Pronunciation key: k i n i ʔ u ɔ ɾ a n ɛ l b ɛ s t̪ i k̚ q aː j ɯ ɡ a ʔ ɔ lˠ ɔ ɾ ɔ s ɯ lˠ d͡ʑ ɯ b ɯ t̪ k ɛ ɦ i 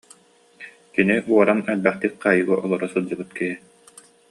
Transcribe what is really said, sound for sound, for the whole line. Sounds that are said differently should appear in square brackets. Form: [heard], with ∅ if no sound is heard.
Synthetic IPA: k i n i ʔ u ɔ ɾ a n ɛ l b ɛ [χ] t̪ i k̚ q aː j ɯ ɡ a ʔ ɔ lˠ ɔ ɾ ɔ s ɯ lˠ d͡ʑ ɯ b ɯ t̪ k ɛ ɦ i